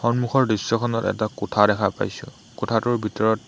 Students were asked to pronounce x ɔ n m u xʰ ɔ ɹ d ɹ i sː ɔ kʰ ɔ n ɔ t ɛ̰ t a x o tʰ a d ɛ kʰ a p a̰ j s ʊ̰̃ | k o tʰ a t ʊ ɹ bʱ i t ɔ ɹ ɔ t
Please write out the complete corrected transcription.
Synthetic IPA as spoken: x ɔ n m u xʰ ɔ ɹ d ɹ i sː ɔ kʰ ɔ n ɔ t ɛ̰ t a k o tʰ a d ɛ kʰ a p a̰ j s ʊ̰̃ | k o tʰ a t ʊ ɹ bʱ i t ɔ ɹ ɔ t